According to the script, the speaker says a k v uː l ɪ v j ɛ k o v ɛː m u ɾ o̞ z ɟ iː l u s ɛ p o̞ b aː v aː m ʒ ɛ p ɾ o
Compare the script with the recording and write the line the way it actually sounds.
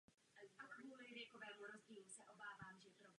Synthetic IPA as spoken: a k v uː l ɪ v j ɛ k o v ɛː m u ɾ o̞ z ɟ iː l u s ɛ ʔ o̞ b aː v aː m ʒ ɛ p ɾ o